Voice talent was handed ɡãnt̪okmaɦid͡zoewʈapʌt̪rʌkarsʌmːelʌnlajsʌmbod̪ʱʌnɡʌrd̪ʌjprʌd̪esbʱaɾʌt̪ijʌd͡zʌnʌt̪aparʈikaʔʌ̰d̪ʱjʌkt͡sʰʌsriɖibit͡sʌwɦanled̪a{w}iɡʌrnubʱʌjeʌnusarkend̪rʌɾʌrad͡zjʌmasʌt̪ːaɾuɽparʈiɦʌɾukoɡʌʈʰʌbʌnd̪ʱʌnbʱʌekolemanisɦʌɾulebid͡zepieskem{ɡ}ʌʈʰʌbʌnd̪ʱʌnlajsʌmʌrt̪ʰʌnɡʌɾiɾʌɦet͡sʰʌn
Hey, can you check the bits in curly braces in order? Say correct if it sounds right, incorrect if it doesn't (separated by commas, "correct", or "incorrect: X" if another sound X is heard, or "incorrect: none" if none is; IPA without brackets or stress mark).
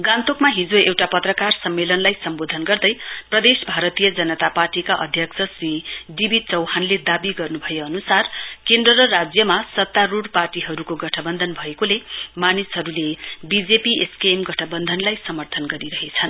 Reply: incorrect: b, correct